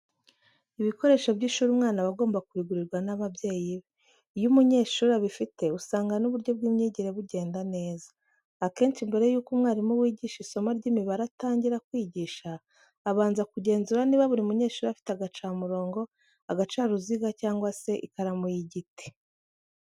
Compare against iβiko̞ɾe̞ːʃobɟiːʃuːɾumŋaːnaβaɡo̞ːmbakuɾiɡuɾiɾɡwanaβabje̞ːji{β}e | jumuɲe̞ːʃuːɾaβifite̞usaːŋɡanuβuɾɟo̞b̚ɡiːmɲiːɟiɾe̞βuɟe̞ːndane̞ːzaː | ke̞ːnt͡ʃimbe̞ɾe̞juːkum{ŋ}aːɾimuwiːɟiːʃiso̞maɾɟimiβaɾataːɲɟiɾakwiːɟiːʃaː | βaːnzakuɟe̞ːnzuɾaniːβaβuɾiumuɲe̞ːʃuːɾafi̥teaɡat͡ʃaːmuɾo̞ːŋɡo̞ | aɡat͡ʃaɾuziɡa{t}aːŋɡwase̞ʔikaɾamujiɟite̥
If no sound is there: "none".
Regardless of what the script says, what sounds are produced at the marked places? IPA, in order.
β, ŋ, c

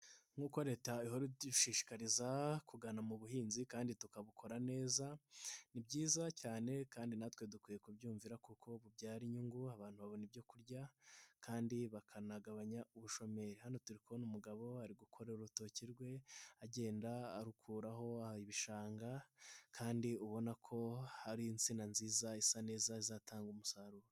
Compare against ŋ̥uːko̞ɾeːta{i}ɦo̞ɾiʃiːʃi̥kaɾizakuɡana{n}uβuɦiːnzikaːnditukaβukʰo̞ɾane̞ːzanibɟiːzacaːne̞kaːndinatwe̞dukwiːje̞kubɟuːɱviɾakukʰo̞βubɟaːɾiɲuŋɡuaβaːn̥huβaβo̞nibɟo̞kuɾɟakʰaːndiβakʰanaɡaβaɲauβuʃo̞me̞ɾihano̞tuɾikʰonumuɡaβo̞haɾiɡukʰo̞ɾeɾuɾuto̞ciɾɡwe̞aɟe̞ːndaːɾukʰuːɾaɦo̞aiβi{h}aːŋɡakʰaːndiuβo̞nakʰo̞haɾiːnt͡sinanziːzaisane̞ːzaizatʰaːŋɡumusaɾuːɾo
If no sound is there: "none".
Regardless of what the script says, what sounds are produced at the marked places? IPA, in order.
i, m, ʃ

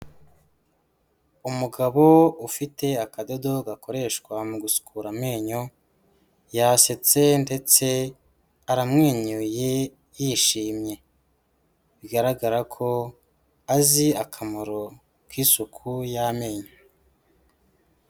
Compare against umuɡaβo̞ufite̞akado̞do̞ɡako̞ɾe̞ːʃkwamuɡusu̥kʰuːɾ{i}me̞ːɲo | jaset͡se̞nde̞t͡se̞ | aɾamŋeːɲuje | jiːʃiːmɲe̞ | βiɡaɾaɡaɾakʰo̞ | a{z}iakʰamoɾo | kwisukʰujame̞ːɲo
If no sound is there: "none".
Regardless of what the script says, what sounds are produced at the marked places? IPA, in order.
a, z

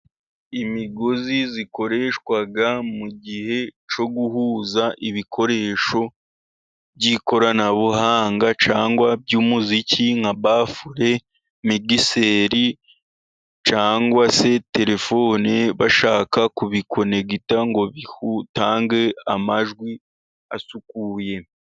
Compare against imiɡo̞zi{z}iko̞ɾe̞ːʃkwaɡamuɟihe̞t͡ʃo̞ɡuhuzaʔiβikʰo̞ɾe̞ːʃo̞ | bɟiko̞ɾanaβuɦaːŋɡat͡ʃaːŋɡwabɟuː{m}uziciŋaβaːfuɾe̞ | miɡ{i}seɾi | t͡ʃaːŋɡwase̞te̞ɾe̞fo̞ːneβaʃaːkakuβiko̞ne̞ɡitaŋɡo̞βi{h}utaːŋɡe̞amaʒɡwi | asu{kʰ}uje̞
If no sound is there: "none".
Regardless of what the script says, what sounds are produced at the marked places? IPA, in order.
z, m, i, h, k

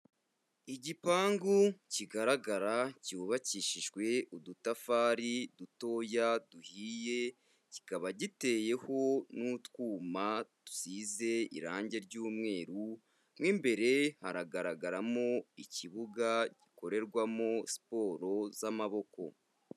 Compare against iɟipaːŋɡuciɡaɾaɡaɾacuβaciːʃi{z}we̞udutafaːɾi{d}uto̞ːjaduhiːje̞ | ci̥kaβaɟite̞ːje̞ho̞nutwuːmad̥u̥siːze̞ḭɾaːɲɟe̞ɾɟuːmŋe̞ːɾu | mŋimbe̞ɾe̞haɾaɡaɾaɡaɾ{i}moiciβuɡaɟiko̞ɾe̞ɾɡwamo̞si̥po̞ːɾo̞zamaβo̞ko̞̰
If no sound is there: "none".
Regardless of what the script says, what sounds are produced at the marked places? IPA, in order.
ʒ, d, a

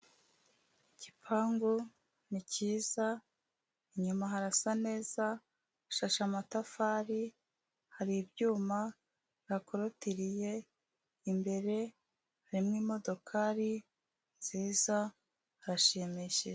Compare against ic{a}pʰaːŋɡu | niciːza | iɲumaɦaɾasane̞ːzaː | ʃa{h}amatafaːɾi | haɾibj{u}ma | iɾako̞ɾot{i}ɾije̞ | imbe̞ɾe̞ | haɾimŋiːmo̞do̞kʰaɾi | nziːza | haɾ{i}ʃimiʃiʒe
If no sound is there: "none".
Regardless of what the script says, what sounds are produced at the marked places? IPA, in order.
i, ʃ, uː, i, a

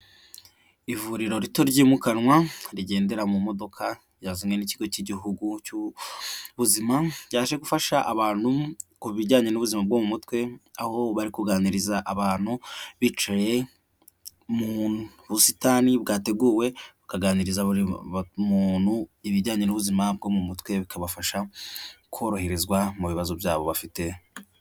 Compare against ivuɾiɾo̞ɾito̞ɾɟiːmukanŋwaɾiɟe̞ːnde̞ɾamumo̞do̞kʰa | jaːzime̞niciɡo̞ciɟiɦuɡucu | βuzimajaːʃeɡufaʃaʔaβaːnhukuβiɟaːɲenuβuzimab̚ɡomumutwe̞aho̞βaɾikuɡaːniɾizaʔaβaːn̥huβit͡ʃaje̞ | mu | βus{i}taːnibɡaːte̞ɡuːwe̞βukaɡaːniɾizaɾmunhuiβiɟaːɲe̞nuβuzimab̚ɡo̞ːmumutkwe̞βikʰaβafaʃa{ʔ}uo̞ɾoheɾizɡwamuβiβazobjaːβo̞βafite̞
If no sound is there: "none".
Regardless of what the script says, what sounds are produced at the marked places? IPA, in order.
i, k

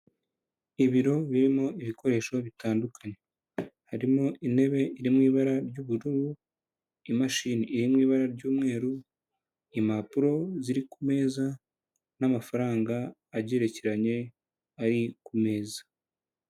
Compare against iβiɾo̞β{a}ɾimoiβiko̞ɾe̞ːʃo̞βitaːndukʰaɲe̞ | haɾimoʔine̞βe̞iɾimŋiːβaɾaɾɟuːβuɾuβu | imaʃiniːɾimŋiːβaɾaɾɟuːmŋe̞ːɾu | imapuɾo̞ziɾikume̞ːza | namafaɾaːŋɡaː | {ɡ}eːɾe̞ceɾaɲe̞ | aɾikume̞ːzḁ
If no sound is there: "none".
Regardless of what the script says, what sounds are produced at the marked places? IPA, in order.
i, ɟ

